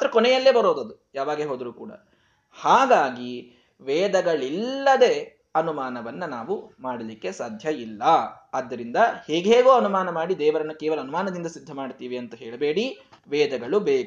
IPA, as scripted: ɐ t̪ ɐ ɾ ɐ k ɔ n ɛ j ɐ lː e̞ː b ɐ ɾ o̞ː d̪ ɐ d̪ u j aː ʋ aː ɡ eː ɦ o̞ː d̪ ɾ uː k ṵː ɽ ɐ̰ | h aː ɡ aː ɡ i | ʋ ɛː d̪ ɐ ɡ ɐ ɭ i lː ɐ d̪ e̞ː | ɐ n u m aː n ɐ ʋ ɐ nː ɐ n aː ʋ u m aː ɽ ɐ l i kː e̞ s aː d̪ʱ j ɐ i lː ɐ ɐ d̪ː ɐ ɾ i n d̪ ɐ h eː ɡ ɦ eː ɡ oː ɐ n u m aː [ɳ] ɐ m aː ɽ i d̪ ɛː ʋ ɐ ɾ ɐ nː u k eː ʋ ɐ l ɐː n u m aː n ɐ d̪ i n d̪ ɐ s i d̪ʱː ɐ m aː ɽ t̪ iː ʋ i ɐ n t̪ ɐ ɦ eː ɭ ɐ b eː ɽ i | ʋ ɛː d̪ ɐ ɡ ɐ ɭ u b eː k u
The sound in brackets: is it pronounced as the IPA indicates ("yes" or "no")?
no